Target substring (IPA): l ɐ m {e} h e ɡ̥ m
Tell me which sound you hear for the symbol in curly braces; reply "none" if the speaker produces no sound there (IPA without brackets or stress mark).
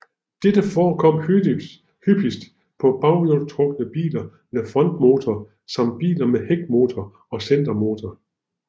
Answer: e